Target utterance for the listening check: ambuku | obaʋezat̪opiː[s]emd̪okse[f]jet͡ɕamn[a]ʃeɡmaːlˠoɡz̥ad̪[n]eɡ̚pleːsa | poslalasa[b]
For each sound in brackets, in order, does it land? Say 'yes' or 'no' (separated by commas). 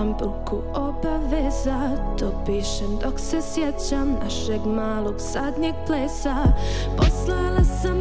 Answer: no, no, yes, no, no